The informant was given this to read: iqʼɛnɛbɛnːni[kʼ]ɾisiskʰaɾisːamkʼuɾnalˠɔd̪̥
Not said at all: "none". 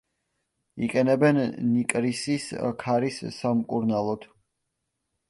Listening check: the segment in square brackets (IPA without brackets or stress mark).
kʼ